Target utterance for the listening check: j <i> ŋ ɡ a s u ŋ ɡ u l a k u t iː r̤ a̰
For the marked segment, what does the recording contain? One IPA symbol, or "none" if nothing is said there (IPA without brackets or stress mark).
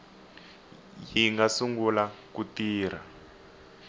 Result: i